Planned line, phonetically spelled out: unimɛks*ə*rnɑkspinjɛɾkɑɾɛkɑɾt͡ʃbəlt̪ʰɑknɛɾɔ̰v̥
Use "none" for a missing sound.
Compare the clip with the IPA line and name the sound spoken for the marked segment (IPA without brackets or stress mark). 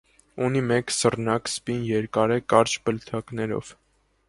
ə